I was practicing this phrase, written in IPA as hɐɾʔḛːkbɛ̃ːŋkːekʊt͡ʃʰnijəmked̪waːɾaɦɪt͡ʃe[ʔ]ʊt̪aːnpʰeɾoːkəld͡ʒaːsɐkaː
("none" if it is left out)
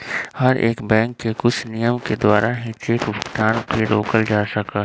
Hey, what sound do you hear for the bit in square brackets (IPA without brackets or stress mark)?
k